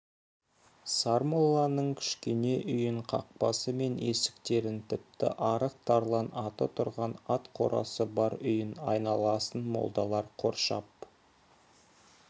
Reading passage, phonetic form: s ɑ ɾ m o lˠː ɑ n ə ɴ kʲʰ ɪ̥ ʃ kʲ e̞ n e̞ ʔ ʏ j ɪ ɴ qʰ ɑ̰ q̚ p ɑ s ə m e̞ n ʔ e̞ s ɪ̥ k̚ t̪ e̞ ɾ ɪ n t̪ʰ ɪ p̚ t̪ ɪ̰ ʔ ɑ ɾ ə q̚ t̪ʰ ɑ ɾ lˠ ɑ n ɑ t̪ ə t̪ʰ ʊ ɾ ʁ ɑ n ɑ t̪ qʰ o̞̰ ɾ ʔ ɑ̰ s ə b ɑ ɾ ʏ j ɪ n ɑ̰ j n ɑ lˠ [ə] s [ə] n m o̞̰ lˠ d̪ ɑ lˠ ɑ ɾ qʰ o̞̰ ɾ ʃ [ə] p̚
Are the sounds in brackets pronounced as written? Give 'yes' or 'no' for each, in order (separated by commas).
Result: no, yes, no